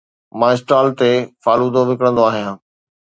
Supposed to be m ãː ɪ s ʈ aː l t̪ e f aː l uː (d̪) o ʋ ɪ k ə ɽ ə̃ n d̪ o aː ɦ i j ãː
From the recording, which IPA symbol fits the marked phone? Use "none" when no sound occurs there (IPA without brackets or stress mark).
d̪